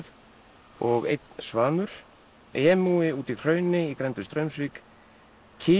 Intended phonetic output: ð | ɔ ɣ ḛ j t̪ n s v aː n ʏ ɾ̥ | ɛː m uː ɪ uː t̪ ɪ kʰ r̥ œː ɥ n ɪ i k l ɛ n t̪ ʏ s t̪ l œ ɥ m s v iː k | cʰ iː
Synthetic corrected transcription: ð | ɔ ɣ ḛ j t̪ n s v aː n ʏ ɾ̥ | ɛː m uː ɪ uː t̪ i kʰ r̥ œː ɥ n ɪ i k ɾ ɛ n t̪ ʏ s t̪ ɾ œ ɥ m s v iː k | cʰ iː